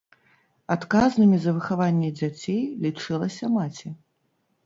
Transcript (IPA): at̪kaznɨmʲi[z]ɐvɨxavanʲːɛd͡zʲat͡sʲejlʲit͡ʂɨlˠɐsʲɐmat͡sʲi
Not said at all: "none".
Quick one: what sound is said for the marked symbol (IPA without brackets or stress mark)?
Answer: z